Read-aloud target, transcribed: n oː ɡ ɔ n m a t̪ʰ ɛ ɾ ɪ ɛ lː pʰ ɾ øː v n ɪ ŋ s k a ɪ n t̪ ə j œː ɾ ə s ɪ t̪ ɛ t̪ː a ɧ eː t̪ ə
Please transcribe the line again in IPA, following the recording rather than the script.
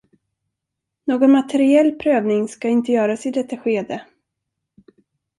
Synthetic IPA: n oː ɡ ɔ n m a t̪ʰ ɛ ɾ ɪ ɛ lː pʰ ɾ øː v n ɪ ŋ s k a ɪ n t̪ ə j œː ɾ a s ɪ d̪ ɛ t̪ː a ɧ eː d̪ ə